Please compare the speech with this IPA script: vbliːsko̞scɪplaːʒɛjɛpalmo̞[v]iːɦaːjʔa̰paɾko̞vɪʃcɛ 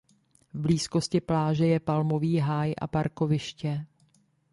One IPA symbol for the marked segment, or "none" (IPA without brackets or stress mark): v